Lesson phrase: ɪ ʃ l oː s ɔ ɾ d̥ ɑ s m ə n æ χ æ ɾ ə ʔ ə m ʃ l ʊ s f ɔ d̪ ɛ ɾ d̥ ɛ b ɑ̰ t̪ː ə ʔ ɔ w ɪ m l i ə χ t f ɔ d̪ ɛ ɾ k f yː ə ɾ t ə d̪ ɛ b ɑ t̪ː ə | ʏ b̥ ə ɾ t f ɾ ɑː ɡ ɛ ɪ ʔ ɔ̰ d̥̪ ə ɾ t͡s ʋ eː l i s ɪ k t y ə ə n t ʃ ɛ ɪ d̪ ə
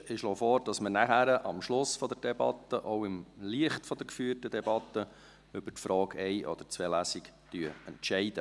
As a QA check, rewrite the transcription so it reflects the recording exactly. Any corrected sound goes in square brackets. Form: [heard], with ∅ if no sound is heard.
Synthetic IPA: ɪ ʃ l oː [f] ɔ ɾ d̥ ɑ s m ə n æ χ æ ɾ ə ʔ [ɑ] m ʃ l ʊ s f ɔ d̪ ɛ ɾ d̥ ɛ b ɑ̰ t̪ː ə ʔ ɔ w ɪ m l i ə χ t f ɔ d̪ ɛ ɾ k f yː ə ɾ t ə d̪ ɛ b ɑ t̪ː ə | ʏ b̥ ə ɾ t f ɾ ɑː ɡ ɛ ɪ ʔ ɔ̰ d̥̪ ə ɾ t͡s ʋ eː l [æ] s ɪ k t y ə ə n t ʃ ɛ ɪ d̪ ə